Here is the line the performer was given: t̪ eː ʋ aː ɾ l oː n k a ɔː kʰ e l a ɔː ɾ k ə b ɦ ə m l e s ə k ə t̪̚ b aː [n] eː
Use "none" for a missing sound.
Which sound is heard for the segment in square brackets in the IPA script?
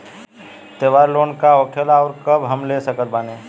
n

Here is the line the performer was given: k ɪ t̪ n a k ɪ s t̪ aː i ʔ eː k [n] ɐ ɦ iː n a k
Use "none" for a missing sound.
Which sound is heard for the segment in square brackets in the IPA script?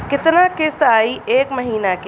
m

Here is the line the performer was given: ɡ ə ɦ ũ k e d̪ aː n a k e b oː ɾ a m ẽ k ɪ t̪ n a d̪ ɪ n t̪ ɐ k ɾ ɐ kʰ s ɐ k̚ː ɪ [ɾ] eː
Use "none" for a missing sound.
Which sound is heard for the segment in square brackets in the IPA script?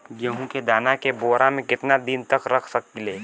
l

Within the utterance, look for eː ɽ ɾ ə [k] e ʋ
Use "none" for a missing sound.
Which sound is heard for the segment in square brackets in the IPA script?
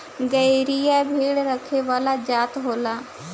kʰ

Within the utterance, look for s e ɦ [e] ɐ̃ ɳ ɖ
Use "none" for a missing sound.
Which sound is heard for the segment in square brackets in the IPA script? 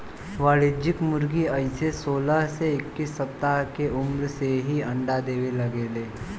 i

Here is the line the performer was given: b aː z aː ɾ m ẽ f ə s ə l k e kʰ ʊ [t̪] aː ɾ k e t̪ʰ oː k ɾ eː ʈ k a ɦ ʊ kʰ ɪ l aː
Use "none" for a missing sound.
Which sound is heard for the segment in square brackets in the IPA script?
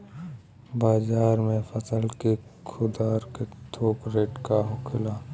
d̪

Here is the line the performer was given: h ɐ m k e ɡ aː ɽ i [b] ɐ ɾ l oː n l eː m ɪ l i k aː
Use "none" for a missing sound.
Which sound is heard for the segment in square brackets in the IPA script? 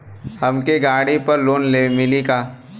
p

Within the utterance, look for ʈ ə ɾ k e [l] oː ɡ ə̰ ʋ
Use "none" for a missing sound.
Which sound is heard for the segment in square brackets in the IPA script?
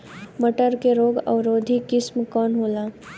ɾ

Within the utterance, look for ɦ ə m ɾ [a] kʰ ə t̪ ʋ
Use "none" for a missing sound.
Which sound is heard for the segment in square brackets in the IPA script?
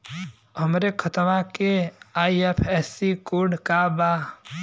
e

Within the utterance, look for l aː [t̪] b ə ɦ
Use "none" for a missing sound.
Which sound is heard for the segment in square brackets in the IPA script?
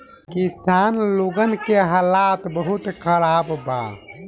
t̪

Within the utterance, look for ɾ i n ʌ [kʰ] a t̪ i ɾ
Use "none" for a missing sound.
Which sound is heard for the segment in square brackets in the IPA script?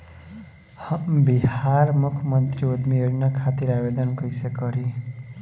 kʰ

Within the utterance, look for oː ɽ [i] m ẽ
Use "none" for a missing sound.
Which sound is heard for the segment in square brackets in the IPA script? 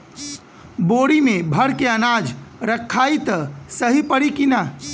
i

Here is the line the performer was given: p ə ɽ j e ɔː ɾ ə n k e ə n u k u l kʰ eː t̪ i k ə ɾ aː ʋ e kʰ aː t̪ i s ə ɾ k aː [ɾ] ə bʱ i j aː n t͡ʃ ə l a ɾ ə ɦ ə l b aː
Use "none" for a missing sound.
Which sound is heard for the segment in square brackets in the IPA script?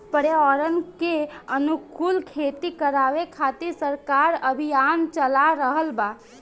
ɾ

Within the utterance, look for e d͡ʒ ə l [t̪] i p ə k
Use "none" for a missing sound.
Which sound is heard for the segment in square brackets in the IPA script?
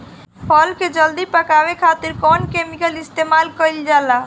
d̪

